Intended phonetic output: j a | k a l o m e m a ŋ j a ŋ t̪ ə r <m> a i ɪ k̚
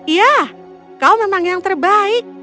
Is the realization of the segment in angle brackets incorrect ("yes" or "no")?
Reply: yes